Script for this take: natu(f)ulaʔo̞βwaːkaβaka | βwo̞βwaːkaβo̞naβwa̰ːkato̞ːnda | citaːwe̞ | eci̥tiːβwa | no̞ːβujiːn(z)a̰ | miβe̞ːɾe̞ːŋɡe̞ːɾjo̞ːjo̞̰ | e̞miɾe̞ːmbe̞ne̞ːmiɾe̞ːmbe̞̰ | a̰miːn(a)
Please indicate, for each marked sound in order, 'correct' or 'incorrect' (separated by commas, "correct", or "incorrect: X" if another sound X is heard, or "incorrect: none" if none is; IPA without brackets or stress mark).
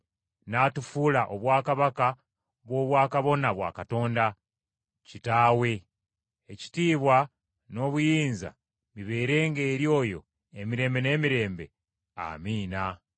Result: correct, correct, correct